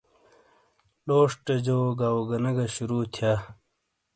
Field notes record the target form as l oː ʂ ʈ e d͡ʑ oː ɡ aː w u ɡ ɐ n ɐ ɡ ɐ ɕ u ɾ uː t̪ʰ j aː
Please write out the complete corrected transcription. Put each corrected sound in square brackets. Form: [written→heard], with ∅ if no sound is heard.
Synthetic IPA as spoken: l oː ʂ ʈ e d͡ʑ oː ɡ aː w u ɡ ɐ n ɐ ɡ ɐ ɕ u ɾ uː t̪ʰ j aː